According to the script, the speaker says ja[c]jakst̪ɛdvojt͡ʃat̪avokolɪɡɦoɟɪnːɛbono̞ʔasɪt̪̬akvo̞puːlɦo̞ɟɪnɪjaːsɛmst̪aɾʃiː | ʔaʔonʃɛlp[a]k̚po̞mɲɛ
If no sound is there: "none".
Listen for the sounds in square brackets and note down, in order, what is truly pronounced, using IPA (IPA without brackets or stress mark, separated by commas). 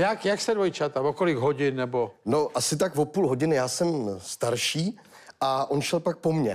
k, a